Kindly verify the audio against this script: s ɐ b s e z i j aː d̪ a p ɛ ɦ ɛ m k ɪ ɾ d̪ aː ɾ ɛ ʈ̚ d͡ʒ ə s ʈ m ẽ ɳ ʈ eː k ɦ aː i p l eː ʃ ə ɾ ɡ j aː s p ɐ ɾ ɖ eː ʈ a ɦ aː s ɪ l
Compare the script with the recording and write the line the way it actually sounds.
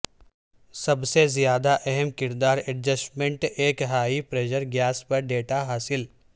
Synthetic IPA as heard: s ɐ b s e z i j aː d̪ a ʔ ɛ ɦ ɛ m k ɪ ɾ d̪ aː ɾ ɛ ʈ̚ d͡ʒ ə s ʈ m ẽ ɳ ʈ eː k ɦ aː i p ɾ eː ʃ ə ɾ ɡ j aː s p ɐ ɾ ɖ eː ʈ a ɦ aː s ɪ l